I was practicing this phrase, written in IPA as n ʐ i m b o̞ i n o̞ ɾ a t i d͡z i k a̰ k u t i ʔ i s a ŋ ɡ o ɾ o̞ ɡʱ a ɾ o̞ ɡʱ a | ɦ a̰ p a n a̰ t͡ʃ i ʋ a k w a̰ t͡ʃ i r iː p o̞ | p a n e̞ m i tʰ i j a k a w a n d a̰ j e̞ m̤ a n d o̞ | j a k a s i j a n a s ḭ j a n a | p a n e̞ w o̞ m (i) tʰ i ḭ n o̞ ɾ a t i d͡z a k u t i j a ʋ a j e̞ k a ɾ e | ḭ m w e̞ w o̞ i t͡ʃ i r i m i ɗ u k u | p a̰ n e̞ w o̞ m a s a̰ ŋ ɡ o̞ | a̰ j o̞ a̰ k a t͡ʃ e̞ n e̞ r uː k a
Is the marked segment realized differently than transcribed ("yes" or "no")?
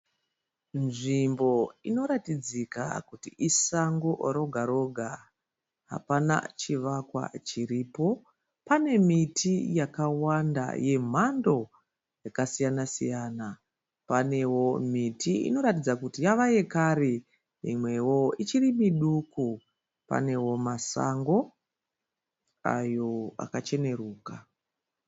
no